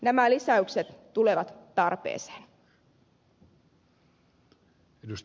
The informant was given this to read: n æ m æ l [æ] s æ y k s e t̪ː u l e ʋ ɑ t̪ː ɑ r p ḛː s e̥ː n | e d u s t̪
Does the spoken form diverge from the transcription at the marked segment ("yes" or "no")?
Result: yes